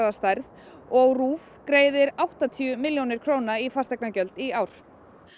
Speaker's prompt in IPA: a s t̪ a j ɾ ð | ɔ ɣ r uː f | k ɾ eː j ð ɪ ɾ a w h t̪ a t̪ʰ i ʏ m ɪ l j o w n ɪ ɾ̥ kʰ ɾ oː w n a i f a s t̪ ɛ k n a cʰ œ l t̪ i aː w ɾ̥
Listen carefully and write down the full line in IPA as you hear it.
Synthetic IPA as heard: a s t̪ a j ɾ ð | ɔ ɣ r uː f | k ɾ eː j ð ɪ ɾ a w h t̪ a t̪ʰ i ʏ m ɪ l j o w n ɪ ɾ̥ kʰ ɾ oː w n a i f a s t̪ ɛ k n a c œ l t̪ i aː w ɾ̥